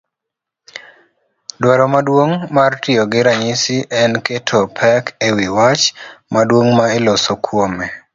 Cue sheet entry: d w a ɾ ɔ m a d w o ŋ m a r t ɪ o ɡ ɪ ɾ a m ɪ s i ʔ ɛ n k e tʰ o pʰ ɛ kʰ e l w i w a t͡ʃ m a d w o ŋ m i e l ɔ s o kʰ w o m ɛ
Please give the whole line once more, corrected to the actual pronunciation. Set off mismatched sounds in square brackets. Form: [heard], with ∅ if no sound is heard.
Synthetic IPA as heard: d w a ɾ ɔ m a d w o ŋ m a r t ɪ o ɡ ɪ ɾ a [ɲ] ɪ s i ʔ ɛ n k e tʰ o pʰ ɛ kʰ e [∅] w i w a t͡ʃ m a d w o ŋ m [a] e l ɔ s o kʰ w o m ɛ